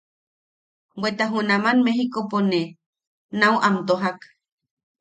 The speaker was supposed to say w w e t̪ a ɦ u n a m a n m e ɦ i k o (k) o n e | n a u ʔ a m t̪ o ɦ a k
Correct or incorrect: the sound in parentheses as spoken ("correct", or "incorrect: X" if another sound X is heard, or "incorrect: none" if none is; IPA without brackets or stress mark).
incorrect: p